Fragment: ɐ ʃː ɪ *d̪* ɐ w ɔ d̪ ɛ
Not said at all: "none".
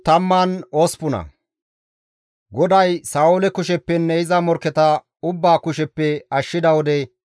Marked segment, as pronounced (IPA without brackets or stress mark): d̪